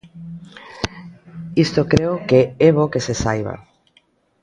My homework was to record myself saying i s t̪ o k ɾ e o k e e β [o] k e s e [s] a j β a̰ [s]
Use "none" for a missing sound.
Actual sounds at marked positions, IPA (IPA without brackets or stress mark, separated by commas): o, s, none